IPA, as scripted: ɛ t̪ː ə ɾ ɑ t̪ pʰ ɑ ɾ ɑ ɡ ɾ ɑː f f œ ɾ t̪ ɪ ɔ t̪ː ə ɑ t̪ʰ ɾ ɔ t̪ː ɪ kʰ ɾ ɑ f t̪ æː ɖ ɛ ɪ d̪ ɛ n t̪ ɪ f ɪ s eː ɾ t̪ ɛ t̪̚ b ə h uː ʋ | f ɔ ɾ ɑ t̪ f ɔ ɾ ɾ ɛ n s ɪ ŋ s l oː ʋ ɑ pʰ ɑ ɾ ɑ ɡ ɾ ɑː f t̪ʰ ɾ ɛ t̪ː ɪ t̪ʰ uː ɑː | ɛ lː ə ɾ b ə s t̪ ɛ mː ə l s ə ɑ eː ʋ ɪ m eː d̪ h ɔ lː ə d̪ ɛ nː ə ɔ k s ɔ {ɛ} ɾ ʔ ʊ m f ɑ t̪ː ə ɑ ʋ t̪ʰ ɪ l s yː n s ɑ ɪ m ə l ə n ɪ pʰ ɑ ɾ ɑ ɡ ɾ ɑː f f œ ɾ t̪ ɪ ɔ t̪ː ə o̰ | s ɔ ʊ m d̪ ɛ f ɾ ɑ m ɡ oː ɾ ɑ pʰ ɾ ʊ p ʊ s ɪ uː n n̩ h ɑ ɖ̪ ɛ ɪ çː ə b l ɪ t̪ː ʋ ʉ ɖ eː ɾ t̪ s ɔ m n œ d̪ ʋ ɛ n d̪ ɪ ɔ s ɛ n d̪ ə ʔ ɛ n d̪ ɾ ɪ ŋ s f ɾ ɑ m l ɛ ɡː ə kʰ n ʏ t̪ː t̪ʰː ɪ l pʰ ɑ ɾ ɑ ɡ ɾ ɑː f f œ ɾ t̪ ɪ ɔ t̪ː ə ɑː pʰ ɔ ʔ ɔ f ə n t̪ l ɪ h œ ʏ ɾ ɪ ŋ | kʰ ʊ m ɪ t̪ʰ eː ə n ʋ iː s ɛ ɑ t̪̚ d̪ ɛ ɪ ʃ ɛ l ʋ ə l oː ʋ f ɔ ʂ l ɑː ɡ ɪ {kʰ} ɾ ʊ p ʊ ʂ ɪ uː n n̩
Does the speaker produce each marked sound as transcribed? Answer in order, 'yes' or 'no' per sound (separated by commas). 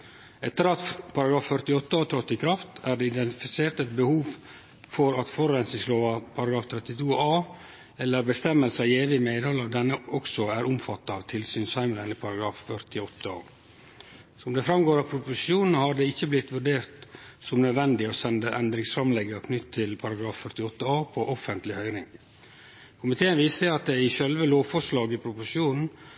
no, no